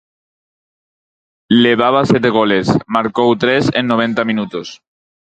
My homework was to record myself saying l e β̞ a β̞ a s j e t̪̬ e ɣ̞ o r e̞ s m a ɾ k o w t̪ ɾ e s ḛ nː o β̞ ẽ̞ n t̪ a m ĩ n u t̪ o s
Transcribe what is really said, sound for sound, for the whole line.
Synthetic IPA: l e β̞ a β̞ a s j e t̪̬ e ɣ̞ o l e̞ s m a ɾ k o w t̪ ɾ e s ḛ nː o β̞ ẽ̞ n t̪ a m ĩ n u t̪ o s